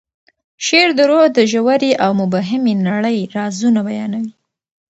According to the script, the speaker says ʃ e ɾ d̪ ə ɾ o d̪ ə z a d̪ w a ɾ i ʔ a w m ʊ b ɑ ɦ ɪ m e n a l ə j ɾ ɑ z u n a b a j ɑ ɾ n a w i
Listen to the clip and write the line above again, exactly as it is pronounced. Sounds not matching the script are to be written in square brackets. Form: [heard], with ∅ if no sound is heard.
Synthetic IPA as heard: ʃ e ɾ d̪ ə ɾ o d̪ ə [ʒ] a [∅] w a ɾ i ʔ a w m ʊ b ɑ ɦ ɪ m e n a [ɽ] ə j ɾ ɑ z u n a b a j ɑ [∅] n a w i